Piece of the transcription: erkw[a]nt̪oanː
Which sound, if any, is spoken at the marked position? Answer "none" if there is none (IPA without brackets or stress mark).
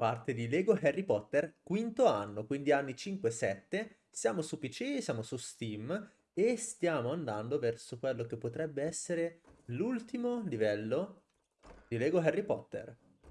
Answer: i